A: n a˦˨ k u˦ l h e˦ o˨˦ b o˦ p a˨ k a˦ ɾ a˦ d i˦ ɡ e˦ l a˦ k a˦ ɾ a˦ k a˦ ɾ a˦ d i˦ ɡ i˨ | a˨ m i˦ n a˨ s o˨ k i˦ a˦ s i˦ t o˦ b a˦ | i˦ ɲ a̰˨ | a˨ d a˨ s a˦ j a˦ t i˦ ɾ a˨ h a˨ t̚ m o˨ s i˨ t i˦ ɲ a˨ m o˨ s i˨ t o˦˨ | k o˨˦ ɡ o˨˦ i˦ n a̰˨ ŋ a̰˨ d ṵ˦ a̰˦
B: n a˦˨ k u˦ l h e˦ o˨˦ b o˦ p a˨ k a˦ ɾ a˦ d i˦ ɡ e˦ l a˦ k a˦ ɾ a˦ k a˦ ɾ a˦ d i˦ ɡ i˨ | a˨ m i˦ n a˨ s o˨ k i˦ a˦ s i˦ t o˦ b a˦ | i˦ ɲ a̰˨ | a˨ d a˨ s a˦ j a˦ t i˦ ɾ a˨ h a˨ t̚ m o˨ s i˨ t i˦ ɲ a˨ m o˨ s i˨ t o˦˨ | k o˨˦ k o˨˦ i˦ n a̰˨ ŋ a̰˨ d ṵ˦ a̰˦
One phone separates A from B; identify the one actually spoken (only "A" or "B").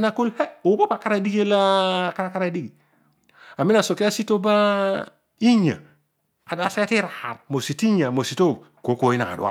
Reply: B